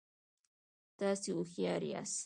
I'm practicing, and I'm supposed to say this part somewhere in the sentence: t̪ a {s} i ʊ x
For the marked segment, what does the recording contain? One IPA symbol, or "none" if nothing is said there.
s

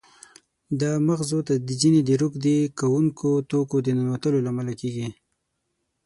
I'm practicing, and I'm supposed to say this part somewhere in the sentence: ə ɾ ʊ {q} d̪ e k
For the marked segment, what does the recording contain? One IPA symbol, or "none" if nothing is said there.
k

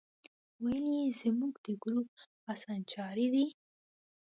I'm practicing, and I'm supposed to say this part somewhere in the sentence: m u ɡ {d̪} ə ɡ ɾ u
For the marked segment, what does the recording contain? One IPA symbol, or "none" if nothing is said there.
d̪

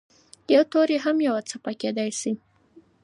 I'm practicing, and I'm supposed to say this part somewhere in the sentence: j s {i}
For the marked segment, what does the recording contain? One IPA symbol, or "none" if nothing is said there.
i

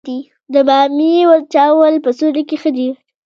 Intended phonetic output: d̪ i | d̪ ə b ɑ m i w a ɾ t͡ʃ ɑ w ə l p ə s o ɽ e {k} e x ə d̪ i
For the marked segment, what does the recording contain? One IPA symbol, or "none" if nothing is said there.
k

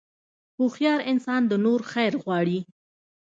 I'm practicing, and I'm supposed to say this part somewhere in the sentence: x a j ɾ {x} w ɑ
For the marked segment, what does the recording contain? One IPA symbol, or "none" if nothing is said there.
ɣ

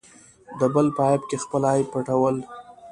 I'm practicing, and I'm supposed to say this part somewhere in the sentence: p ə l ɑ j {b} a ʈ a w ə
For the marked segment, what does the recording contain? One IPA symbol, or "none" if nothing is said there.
p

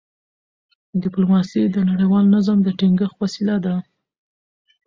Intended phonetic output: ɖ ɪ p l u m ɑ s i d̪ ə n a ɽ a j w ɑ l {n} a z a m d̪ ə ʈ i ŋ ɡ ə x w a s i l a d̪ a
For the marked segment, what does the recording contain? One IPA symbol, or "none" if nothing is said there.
n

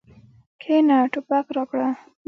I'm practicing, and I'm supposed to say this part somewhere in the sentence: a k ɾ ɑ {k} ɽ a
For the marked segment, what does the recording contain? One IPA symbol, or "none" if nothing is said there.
k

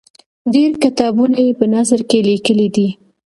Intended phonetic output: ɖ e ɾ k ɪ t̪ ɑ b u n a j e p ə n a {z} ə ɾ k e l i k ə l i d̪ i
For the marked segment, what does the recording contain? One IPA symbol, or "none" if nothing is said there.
z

